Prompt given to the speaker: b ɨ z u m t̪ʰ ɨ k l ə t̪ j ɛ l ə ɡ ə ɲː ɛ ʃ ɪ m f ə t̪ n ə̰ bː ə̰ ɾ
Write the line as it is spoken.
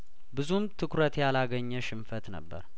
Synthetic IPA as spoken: b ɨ z u m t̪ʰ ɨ k ɾ ə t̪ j a l a ɡ ə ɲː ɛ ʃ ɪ m f ə t̪ n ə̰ bː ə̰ ɾ